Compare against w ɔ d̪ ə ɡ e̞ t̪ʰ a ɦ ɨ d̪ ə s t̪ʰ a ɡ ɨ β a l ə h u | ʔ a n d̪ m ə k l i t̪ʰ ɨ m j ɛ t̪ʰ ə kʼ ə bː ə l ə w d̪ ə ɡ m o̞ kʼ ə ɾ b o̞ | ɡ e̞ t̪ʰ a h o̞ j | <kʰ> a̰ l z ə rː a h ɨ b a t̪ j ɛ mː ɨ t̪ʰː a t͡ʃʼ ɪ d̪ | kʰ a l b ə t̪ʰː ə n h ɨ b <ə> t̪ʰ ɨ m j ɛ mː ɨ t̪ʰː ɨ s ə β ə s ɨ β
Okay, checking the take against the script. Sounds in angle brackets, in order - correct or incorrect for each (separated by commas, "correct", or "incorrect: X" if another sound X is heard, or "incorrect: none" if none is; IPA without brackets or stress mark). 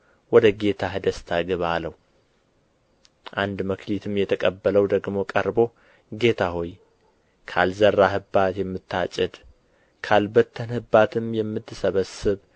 correct, incorrect: a